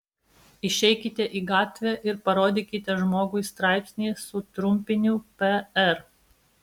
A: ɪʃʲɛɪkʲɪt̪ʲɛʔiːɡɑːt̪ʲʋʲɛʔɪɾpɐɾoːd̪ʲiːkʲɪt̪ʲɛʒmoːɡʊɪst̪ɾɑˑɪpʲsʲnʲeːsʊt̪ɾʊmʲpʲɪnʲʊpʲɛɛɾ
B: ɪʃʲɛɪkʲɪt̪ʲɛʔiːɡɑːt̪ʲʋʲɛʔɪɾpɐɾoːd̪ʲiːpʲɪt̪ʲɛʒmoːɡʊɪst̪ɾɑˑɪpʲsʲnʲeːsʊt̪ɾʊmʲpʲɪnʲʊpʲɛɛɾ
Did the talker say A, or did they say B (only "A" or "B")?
A